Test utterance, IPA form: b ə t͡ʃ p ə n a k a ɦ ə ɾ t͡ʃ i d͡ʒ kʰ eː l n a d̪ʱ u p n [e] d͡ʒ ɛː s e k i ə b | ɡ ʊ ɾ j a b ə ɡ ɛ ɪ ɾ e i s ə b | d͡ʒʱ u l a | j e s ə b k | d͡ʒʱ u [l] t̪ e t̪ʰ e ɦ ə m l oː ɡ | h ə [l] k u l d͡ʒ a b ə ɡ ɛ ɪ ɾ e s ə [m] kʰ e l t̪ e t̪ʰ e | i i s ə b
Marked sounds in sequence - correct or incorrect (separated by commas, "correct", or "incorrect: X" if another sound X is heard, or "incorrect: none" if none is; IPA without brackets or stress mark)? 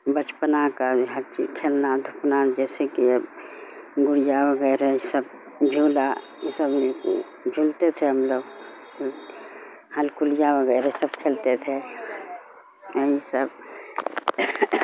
incorrect: a, correct, correct, incorrect: b